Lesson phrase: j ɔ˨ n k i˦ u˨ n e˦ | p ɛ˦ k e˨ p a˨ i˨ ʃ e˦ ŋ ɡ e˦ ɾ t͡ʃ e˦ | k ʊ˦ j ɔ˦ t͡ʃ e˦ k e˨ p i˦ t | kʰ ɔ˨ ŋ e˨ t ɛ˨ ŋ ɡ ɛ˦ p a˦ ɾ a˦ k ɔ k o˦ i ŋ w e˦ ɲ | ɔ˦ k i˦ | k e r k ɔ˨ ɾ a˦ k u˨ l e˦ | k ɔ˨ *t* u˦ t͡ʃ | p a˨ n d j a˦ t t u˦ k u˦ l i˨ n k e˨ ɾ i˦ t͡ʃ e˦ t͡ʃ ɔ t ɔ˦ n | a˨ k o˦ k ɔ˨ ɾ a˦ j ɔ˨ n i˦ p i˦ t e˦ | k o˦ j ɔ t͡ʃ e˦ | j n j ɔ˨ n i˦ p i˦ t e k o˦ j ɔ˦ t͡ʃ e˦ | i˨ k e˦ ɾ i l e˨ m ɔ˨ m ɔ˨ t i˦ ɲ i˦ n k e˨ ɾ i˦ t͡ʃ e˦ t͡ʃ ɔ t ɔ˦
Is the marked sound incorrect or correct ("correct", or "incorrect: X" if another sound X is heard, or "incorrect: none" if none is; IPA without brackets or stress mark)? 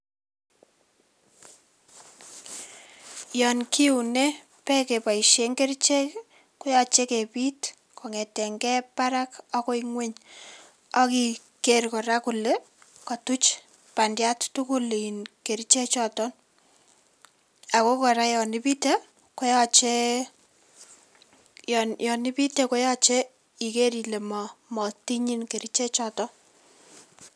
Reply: correct